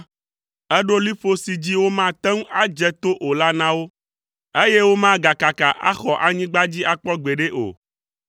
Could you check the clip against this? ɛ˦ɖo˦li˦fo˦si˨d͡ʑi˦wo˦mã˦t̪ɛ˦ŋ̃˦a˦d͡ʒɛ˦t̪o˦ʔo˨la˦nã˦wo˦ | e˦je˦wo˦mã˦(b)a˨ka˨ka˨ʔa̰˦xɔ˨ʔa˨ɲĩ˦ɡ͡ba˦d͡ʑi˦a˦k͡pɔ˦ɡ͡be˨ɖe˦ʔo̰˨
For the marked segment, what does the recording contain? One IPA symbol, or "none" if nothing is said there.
ɡ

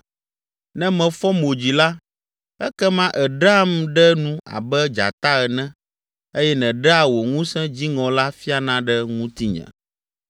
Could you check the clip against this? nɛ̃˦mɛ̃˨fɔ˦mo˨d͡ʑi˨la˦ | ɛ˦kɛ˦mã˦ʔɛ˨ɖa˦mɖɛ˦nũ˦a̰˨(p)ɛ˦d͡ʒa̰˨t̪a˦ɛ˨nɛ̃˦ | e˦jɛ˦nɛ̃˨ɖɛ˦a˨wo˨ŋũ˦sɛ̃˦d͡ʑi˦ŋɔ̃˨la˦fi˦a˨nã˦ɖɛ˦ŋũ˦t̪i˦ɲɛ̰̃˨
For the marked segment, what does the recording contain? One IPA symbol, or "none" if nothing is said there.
b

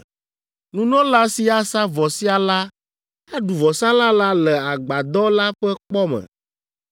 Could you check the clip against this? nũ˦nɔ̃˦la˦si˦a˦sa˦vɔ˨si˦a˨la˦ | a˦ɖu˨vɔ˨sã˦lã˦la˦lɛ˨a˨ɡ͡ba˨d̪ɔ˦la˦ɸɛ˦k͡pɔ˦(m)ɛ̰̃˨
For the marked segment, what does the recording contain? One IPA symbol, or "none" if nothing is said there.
m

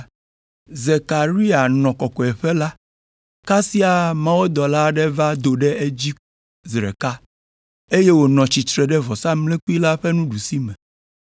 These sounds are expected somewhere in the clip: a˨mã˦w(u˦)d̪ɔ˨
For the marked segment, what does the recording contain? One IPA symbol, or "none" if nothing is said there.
o˦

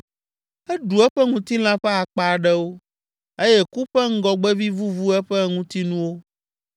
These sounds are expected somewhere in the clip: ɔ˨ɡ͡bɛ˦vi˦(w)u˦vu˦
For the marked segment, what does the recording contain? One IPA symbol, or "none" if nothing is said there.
v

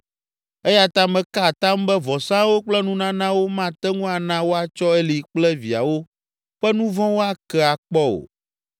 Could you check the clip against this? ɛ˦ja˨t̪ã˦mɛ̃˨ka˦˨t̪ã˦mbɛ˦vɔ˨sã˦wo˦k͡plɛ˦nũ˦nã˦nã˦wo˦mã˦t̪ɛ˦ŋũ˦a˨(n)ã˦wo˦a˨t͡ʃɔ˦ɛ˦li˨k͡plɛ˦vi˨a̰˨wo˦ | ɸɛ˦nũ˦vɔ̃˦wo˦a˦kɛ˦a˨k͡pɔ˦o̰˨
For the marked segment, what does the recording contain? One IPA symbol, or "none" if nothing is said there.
n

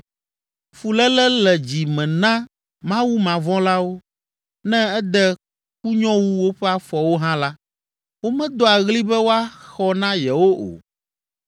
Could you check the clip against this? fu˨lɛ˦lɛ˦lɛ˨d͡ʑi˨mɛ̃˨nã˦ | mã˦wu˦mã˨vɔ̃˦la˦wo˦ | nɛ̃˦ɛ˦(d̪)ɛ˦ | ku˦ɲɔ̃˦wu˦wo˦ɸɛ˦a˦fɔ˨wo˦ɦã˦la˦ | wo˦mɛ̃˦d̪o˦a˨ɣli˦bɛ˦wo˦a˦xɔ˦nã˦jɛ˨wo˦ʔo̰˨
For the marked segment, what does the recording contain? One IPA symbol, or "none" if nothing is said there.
d̪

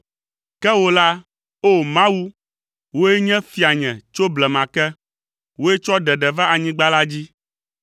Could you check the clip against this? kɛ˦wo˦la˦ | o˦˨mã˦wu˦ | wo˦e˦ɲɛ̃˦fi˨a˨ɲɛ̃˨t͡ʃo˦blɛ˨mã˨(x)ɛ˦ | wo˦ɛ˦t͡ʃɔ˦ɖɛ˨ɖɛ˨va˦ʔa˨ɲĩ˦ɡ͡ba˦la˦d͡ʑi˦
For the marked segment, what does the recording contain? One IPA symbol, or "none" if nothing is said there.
k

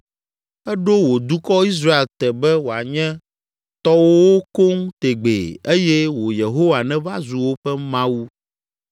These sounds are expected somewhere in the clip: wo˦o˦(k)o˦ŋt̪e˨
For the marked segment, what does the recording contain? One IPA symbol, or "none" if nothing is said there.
k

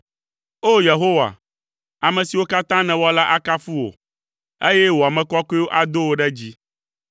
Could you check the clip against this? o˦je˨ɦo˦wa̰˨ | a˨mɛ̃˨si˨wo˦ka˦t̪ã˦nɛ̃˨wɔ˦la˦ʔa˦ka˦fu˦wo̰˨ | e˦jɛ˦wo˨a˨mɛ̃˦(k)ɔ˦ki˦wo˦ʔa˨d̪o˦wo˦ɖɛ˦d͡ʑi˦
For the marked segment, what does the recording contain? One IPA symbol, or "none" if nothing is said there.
k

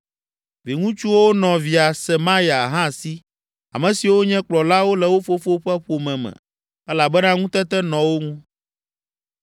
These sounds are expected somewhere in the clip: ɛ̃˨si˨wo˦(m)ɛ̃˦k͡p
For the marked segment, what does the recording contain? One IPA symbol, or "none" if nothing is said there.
ɲ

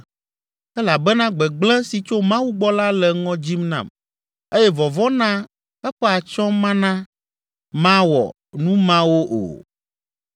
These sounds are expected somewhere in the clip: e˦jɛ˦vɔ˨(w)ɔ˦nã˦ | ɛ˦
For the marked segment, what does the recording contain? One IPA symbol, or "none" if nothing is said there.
v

